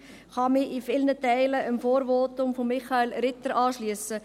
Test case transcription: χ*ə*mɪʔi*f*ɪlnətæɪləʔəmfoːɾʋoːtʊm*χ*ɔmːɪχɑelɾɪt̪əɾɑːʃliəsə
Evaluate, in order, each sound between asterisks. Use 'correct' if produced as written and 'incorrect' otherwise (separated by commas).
incorrect, correct, incorrect